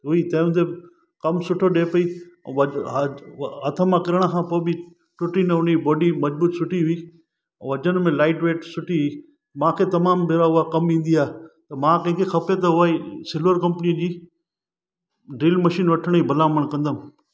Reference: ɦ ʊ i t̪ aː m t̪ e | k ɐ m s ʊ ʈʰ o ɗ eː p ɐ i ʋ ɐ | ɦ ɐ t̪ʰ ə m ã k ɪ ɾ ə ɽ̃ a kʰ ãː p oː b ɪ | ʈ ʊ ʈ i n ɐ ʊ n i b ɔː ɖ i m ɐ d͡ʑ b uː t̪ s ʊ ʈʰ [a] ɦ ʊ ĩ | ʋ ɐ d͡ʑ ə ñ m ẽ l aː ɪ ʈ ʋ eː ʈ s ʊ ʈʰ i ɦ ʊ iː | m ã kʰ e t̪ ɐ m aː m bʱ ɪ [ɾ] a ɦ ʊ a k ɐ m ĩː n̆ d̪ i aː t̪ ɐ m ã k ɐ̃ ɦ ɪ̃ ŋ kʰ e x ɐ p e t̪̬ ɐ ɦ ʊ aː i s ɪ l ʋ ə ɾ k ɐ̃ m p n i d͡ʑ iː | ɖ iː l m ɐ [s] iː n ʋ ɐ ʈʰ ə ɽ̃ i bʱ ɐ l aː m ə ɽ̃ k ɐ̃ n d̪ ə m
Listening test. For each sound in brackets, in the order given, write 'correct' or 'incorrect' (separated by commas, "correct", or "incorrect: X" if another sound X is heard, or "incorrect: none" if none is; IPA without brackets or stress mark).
incorrect: i, correct, incorrect: ʃ